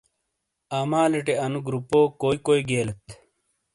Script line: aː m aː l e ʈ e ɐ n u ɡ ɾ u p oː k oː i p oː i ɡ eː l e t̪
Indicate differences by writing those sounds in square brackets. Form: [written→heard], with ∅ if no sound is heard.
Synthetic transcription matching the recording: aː m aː l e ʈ e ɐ n u ɡ ɾ u p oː k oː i [p→k] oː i ɡ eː l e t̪